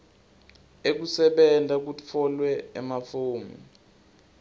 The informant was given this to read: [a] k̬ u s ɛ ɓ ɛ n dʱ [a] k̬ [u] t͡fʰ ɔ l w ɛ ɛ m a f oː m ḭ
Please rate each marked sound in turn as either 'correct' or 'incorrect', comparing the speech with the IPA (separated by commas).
incorrect, correct, correct